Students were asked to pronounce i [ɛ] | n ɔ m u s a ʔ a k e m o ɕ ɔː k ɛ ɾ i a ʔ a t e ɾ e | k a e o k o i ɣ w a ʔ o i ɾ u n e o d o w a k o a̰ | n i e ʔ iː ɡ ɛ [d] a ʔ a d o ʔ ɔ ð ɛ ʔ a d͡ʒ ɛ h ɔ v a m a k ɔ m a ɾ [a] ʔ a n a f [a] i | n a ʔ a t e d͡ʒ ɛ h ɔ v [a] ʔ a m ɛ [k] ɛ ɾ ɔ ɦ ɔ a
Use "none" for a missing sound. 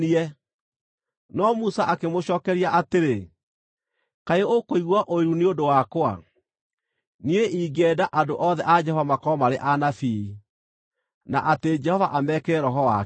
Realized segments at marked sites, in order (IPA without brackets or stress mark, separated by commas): ɛ, d, e, i, a, k